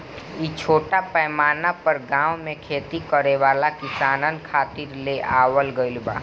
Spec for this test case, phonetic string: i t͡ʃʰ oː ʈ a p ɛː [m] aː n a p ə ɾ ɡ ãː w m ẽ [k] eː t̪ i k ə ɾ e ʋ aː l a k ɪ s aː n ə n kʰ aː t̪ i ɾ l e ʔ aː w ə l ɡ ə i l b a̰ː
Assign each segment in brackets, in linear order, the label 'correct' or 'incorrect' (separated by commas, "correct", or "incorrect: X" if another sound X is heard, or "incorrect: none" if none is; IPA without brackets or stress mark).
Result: correct, incorrect: kʰ